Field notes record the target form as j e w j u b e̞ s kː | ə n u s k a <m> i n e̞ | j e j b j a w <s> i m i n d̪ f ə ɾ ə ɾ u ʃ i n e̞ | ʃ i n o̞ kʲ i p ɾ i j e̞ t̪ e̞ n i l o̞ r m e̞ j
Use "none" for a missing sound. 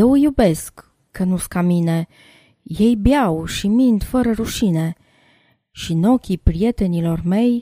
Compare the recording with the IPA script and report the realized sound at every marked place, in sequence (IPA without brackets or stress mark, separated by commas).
m, ʃ